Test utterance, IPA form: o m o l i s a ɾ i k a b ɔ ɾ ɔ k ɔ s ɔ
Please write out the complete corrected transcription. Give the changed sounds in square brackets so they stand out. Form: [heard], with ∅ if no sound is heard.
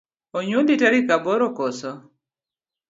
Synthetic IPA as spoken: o [ɲ] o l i [t] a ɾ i k a b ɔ ɾ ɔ k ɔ s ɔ